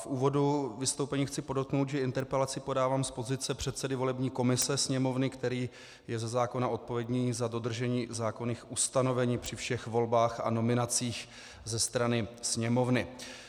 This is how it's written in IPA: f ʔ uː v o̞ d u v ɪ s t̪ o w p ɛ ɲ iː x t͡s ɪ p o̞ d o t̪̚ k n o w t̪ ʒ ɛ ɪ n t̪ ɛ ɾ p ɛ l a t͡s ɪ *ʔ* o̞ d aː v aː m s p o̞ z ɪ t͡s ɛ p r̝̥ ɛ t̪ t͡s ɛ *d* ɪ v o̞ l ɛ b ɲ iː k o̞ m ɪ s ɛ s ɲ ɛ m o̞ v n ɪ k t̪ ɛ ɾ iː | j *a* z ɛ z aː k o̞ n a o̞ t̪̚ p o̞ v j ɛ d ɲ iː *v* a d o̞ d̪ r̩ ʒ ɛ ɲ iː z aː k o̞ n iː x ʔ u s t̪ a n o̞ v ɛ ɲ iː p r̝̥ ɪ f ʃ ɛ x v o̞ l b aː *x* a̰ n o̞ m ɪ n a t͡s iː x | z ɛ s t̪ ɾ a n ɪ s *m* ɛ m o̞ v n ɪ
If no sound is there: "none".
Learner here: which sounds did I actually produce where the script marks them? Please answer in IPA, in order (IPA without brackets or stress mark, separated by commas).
p, d, ɛ, z, x, ɲ